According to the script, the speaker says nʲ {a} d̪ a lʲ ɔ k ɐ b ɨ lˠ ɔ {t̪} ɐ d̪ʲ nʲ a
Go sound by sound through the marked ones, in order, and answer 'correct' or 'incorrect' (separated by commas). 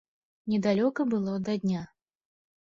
incorrect, incorrect